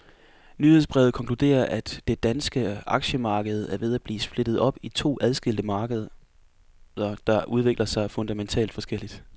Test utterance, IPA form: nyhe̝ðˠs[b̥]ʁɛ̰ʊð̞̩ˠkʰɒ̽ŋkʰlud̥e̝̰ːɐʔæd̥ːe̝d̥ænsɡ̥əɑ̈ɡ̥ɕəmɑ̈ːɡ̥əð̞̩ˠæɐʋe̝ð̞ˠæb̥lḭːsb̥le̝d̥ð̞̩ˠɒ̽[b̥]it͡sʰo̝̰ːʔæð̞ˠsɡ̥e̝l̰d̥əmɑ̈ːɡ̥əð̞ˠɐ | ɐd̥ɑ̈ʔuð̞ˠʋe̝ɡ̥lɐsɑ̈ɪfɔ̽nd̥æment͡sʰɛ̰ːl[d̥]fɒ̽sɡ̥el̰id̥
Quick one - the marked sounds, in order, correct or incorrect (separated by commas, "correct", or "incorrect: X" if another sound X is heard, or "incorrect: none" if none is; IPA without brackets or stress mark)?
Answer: correct, correct, correct